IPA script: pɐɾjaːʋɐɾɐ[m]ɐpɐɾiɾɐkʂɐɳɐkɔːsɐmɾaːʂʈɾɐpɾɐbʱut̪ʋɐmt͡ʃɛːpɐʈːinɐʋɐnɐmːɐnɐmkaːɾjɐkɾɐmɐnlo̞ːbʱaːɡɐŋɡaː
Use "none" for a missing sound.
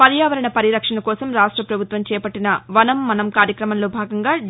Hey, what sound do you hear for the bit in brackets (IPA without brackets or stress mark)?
ɳ